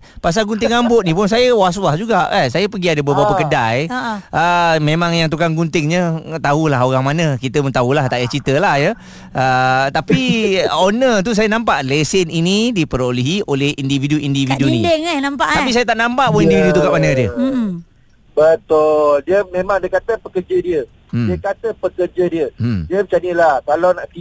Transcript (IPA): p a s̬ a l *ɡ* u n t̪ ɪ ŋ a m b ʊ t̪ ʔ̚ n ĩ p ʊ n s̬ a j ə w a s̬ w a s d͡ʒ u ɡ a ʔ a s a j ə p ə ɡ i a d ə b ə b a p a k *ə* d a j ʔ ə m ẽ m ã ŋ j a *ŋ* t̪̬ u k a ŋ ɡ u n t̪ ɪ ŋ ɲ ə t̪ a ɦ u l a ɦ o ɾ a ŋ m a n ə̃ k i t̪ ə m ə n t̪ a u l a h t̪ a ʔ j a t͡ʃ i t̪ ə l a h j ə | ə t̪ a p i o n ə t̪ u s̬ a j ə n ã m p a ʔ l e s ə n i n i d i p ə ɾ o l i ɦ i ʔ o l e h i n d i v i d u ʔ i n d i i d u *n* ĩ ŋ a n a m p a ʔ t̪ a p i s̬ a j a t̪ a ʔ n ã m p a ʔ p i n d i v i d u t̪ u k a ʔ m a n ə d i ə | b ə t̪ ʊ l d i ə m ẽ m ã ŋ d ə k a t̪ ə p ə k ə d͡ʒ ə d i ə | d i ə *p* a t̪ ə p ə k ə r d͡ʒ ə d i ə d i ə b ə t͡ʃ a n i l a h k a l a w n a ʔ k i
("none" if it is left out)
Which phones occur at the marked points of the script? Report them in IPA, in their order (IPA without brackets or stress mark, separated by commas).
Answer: ɡ, ə, ŋ, n, k